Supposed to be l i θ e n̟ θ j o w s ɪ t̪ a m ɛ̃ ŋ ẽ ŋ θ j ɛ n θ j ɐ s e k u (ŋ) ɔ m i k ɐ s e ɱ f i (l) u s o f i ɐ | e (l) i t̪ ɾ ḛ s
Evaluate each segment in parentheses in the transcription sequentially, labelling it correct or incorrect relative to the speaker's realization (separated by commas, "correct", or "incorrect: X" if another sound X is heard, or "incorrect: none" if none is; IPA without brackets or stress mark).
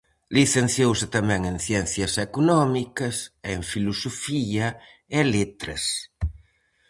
incorrect: n, correct, correct